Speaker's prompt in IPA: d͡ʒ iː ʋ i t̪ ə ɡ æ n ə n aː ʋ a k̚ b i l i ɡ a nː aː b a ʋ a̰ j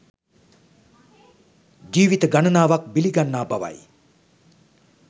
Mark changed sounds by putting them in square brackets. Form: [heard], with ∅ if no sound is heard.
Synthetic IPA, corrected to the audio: d͡ʒ iː ʋ i t̪ ə ɡ [a] n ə n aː ʋ a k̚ b i l i ɡ a nː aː b a ʋ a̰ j